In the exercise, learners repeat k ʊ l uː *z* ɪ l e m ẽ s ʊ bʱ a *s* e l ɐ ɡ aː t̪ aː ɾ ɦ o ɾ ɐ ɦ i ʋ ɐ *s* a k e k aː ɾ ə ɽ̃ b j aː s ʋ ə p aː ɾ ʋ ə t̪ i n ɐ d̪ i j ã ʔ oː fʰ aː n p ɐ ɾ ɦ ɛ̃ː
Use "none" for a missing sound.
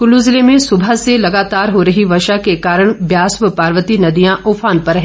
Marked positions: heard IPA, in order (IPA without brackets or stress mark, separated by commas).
z, s, ʃ